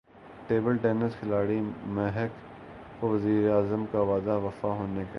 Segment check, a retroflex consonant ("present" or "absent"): present